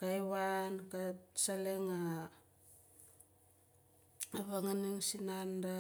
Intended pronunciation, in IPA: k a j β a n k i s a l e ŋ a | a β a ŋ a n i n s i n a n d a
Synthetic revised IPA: k a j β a n k a s a l e ŋ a | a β a ŋ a n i ŋ s i n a n d a